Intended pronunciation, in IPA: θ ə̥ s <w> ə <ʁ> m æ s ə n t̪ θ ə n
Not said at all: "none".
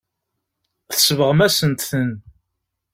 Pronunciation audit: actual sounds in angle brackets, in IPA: v, ʁ

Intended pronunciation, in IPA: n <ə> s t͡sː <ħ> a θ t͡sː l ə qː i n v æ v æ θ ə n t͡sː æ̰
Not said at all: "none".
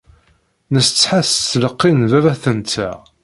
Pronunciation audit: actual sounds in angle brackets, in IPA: ə, ħ

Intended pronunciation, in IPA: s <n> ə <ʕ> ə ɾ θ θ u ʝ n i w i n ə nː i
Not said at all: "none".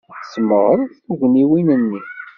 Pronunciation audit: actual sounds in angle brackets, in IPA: m, ʁ

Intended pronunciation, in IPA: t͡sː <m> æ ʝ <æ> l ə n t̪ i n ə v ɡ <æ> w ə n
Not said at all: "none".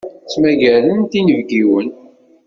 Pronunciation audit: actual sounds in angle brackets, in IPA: m, æ, i

